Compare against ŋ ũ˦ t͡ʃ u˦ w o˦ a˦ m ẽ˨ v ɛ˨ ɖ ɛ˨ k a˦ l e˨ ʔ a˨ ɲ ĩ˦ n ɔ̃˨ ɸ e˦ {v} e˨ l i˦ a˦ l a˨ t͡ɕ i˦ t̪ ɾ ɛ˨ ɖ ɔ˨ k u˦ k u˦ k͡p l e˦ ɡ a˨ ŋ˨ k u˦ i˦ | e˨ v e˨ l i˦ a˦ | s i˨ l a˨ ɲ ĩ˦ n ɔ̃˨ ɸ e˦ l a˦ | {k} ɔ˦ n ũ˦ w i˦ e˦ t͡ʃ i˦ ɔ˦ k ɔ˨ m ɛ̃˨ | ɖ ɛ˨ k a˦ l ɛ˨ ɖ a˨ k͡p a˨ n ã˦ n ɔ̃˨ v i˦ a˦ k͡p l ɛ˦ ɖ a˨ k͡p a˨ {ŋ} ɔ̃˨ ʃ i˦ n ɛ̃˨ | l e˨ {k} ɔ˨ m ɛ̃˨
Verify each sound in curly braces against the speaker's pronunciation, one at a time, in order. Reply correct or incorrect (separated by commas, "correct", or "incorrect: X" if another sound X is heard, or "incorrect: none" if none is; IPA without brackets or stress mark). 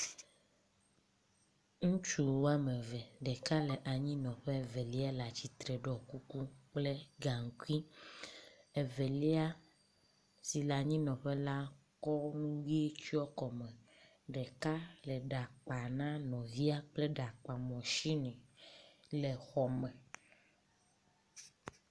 correct, correct, incorrect: m, incorrect: x